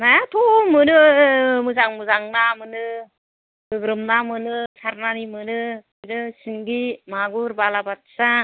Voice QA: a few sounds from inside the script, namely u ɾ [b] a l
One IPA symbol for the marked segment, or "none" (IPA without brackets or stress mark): b